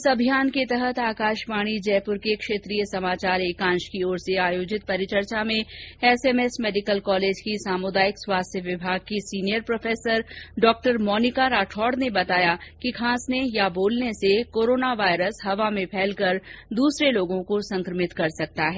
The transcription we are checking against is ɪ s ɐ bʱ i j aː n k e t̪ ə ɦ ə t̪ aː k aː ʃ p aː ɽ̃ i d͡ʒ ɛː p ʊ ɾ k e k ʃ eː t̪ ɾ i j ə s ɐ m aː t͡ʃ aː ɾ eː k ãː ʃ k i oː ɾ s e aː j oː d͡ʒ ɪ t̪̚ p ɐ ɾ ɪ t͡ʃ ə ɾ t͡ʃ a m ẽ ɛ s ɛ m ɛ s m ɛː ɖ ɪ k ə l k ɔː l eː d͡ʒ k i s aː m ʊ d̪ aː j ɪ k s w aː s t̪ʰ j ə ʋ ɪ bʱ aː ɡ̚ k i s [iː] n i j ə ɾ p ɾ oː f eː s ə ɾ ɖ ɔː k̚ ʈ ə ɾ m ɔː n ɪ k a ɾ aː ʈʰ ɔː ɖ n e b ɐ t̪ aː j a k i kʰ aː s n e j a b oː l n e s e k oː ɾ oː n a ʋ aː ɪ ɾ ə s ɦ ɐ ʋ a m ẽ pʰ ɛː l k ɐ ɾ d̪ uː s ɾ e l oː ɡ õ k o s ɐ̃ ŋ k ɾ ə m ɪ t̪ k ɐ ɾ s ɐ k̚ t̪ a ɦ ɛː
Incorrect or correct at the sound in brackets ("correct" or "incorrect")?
correct